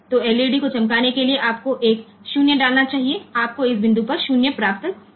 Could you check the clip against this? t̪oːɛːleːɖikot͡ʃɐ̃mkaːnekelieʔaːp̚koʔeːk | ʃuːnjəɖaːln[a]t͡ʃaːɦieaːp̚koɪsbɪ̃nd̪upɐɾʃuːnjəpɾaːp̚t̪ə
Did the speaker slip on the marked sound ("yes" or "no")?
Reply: no